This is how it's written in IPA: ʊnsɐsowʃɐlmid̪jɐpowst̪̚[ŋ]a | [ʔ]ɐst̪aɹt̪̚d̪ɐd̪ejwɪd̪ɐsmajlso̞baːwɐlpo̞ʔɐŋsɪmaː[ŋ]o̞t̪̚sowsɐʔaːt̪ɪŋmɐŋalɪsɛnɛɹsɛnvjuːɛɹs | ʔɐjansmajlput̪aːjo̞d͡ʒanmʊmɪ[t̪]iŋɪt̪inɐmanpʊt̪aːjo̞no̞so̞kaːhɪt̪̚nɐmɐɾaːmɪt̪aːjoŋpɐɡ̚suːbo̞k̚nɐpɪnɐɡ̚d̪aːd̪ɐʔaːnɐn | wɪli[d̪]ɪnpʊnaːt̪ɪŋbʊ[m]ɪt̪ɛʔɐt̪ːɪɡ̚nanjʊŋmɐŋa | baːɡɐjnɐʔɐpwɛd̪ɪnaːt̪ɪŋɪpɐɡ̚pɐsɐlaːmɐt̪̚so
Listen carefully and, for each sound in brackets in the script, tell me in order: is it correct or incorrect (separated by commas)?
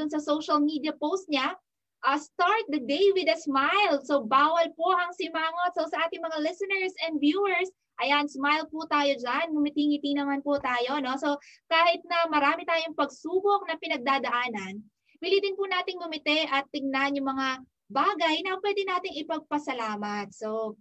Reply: incorrect, correct, correct, correct, correct, correct